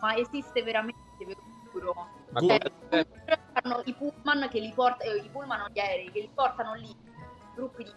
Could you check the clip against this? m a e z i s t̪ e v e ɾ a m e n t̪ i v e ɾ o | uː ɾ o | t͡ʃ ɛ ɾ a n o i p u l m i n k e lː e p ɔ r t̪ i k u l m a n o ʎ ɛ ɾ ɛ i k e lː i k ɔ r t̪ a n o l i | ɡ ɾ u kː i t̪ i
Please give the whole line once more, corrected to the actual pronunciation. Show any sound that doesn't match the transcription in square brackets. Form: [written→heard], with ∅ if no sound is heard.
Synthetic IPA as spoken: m a e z i s t̪ e v e ɾ a m e n t̪ [i→e] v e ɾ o | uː ɾ o | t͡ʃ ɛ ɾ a n o i p u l m [i→a] n k e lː [e→i] p ɔ r t̪ i [k→p] u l m a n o ʎ ɛ ɾ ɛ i k e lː i [k→p] ɔ r t̪ a n o l i | ɡ ɾ u [kː→pː] i [t̪→d̪] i